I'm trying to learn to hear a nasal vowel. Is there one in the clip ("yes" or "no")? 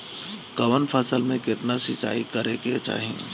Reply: yes